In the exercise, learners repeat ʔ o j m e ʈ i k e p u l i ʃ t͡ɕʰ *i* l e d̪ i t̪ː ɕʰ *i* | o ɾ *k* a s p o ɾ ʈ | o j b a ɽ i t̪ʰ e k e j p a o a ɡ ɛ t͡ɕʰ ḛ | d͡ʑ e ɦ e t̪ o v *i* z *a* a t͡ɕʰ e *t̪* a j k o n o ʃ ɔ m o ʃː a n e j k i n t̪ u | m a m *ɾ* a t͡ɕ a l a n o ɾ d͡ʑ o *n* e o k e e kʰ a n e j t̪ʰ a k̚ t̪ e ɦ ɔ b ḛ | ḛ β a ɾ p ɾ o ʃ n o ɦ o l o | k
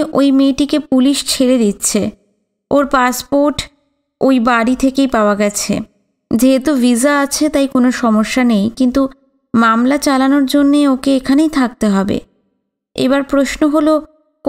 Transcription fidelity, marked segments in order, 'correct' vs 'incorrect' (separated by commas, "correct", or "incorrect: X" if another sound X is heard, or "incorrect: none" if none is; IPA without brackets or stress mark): incorrect: e, incorrect: e, incorrect: p, correct, correct, correct, incorrect: l, incorrect: nː